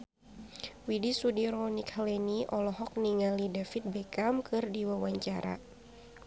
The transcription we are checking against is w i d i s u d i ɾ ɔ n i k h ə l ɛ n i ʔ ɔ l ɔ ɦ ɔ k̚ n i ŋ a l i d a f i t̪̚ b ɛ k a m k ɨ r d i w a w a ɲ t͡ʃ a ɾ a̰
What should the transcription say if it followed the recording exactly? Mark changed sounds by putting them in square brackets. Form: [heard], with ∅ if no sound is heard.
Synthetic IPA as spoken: w i d i s u d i ɾ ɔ n i k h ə l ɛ n i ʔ ɔ l ɔ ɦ ɔ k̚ n i ŋ a l i d a f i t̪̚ b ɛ k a m k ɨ r d i w a w a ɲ t͡ʃ a ɾ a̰